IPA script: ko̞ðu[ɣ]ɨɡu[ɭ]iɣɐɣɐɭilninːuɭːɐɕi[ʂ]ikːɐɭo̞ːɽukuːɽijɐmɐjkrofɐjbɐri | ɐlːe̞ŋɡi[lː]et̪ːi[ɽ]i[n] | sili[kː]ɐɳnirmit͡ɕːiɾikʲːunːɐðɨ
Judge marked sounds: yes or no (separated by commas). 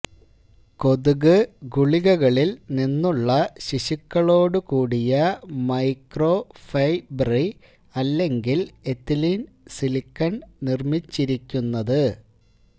yes, yes, no, no, no, yes, yes